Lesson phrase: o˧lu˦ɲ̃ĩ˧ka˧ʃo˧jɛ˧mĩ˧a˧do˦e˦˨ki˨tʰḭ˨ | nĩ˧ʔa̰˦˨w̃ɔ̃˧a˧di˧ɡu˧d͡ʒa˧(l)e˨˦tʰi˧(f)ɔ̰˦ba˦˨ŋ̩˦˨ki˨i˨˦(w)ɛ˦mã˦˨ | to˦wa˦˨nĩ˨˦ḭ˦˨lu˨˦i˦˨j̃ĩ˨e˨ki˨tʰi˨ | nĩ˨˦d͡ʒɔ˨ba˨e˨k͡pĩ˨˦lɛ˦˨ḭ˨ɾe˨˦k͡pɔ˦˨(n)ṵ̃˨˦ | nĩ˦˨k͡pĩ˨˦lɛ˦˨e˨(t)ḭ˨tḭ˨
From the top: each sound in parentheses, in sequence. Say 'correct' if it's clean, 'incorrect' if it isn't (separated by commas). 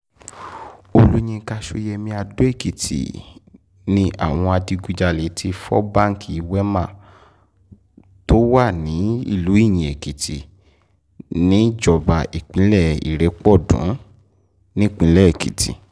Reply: correct, correct, correct, incorrect, incorrect